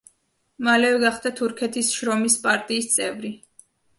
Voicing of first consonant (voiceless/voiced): voiced